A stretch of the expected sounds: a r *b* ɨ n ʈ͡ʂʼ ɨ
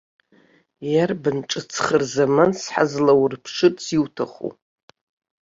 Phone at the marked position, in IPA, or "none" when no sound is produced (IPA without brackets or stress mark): b